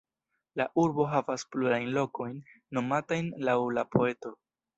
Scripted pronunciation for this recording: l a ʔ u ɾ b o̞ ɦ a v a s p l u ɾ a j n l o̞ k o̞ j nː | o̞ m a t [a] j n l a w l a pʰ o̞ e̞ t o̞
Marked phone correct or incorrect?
correct